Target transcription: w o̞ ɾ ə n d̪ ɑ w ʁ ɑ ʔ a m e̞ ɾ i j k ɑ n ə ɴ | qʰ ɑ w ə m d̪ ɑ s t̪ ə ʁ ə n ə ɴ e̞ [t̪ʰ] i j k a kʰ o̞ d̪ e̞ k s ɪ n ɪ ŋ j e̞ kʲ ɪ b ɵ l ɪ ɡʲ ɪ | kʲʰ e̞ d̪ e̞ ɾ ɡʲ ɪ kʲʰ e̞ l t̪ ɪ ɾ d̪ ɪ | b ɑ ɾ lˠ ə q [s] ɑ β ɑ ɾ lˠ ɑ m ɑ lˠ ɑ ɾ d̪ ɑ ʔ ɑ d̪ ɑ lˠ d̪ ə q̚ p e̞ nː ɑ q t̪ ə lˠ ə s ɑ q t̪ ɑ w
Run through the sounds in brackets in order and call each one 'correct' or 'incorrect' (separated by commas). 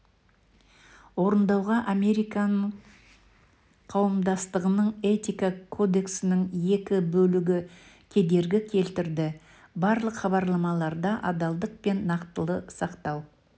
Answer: incorrect, incorrect